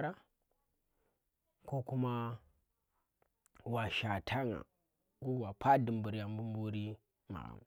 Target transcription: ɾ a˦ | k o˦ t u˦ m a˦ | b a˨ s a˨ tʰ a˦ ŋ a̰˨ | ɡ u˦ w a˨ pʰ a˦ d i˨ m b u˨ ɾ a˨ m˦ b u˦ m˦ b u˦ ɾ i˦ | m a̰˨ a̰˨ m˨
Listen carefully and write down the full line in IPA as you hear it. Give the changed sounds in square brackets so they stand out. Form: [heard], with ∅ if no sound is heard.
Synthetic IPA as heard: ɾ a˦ | k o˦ [k] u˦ m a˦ | [w] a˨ [ʃ] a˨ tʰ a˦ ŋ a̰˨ | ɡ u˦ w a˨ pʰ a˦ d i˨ m b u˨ ɾ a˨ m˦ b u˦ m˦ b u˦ ɾ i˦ | m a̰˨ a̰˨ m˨